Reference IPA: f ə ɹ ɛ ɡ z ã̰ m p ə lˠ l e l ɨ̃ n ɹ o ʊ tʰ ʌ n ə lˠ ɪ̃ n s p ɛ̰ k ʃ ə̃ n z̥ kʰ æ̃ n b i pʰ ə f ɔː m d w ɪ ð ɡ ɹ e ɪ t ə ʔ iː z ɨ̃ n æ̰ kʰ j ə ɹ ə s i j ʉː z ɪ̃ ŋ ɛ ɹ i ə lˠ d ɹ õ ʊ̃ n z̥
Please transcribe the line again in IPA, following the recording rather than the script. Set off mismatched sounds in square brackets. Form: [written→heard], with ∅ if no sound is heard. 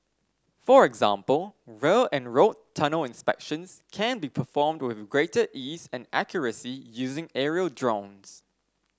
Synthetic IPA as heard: f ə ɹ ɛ ɡ z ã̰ m p ə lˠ [l→ɹ] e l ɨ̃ n ɹ o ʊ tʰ ʌ n ə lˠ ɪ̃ n s p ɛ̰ k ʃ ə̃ n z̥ kʰ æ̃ n b i pʰ ə f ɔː m d w ɪ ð ɡ ɹ e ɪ t ə ʔ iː z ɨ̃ n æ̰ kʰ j ə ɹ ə s i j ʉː z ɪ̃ ŋ ɛ ɹ i ə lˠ d ɹ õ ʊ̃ n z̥